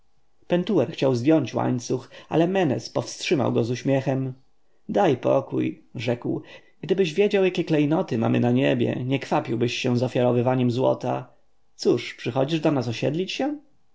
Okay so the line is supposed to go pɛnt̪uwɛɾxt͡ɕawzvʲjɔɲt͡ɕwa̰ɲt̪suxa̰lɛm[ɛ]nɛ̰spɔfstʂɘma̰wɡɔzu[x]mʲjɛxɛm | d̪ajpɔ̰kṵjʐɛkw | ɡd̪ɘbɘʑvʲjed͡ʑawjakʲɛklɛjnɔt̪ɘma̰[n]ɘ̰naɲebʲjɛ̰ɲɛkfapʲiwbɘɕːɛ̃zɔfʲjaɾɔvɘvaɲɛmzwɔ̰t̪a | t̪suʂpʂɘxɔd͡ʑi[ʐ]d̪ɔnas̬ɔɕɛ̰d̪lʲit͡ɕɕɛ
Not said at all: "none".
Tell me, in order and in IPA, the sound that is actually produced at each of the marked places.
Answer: ɛ, ɕ, m, ʐ

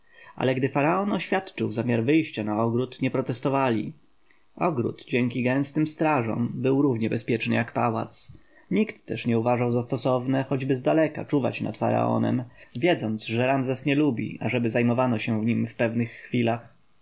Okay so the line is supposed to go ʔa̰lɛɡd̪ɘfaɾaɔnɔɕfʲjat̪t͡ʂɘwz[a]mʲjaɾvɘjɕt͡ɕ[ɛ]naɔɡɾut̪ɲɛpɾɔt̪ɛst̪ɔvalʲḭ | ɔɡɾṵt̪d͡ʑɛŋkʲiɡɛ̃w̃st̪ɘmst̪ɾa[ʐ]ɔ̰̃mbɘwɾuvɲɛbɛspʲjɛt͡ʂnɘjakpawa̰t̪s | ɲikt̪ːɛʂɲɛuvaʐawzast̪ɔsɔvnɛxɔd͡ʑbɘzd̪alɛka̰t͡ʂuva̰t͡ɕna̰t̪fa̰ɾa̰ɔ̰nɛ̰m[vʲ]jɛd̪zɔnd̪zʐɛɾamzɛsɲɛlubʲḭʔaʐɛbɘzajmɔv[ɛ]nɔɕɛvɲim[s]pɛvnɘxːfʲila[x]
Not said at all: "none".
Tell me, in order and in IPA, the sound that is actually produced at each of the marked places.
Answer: a, a, ʐ, vʲ, a, f, x

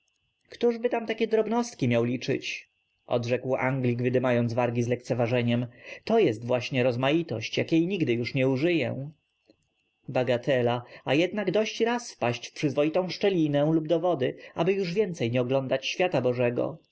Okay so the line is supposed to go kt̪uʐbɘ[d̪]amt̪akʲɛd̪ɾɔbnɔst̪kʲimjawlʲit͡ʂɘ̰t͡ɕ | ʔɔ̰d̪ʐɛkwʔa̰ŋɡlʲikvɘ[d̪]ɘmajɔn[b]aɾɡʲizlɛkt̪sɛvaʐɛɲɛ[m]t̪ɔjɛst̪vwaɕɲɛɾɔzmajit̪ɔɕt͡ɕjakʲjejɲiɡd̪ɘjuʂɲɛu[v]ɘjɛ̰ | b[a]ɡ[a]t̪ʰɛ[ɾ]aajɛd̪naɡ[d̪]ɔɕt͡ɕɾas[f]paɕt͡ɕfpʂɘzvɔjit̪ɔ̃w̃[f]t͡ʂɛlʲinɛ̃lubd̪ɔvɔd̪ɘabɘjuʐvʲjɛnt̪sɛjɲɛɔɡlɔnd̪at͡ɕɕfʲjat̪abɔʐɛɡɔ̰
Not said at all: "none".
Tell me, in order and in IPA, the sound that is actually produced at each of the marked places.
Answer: t̪, d̪, v, m, ʐ, a, a, l, d̪, f, ʂ

